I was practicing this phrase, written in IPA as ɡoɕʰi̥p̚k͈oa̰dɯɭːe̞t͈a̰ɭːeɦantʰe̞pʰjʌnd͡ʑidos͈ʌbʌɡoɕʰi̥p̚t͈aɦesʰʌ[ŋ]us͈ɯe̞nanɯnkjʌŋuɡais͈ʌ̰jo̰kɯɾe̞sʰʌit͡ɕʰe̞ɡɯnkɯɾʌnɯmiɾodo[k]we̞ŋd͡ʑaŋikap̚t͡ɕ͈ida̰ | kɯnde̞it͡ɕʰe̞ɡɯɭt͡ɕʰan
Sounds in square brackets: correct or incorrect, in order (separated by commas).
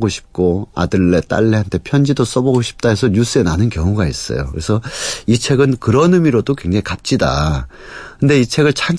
incorrect, correct